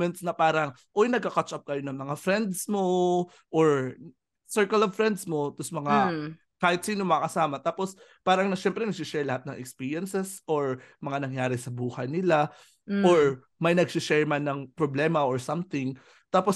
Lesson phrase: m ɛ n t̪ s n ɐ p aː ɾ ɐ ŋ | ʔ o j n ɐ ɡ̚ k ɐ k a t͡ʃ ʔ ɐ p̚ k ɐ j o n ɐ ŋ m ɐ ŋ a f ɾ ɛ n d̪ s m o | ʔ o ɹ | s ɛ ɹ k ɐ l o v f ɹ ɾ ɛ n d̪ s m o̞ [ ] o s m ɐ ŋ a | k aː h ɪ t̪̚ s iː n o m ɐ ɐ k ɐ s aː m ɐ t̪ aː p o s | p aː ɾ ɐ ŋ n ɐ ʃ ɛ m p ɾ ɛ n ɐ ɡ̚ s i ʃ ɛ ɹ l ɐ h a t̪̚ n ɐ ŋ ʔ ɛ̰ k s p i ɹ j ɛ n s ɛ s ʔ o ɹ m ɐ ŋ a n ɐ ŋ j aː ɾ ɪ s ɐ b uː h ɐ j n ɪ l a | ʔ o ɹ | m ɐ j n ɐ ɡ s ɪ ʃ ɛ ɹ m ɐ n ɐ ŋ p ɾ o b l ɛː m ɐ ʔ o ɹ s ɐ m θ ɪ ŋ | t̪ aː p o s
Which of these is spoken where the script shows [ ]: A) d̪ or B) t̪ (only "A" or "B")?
B